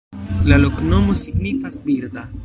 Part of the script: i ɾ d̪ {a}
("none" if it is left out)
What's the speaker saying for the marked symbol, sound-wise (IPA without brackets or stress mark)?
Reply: a